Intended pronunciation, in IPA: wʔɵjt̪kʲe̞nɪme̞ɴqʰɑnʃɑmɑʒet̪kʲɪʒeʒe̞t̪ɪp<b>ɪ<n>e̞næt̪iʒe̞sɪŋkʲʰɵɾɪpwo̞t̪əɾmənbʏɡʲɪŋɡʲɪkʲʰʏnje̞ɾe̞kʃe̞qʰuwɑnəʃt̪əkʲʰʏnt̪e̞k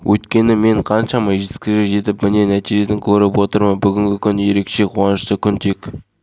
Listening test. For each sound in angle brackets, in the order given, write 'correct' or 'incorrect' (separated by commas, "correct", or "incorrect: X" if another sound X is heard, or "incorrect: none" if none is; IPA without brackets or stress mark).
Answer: incorrect: m, correct